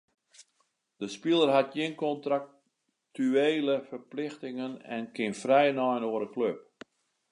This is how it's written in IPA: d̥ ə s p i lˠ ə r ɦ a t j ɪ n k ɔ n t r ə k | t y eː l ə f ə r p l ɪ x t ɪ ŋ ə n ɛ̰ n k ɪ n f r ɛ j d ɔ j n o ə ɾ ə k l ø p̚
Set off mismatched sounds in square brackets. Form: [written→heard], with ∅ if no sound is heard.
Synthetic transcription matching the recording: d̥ ə s p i lˠ ə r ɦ a t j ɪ n k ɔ n t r [ə→a] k | t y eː l ə f ə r p l ɪ x t ɪ ŋ ə n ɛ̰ n k ɪ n f r ɛ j [d→n] ɔ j n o ə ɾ ə k l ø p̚